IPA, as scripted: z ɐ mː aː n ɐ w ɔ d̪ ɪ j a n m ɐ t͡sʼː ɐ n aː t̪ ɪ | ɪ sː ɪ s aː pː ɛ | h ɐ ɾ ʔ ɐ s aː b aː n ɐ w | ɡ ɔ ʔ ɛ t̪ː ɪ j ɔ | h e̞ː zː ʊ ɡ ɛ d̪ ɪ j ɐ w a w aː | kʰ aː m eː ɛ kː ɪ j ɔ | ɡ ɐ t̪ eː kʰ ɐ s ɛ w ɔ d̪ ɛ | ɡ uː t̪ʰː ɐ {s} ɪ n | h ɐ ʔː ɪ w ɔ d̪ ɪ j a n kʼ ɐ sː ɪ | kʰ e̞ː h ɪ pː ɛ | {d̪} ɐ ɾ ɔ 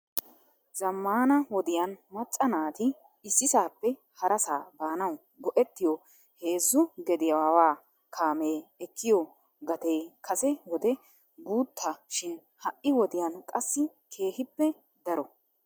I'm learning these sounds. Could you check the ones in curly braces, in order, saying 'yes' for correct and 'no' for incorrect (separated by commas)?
no, yes